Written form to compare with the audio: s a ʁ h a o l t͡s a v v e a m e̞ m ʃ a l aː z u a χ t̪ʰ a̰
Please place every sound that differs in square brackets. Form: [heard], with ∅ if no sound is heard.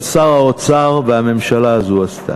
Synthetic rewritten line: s a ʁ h a o [∅] t͡s a [ʁ] v e a m e̞ m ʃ a l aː z u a [s] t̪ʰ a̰